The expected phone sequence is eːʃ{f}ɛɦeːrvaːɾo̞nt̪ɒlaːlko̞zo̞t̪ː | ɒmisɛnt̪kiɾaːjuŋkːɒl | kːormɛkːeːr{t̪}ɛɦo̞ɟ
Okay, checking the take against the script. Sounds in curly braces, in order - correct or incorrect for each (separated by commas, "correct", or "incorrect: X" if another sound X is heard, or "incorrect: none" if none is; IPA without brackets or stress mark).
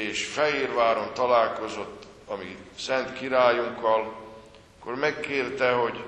correct, correct